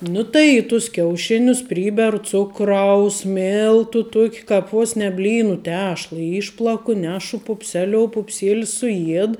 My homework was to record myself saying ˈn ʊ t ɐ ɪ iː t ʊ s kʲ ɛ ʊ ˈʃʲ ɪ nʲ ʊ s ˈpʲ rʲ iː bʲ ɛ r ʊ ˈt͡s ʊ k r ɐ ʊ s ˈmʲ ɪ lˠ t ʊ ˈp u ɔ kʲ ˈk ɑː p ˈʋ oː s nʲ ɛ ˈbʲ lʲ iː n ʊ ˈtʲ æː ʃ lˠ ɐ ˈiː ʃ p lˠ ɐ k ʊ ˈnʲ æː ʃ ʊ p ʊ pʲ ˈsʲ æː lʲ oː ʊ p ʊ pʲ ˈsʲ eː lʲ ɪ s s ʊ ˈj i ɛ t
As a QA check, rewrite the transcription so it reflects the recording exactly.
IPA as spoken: ˈn ʊ t ɐ ɪ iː t ʊ s kʲ ɛ ʊ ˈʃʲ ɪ nʲ ʊ s ˈpʲ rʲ iː bʲ ɛ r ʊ ˈt͡s ʊ k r ɐ ʊ s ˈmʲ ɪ lˠ t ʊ ˈt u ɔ kʲ ˈk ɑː p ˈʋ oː s nʲ ɛ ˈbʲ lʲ iː n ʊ ˈtʲ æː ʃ lˠ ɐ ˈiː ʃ p lˠ ɐ k ʊ ˈnʲ æː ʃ ʊ p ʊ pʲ ˈsʲ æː lʲ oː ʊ p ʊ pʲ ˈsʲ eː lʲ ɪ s s ʊ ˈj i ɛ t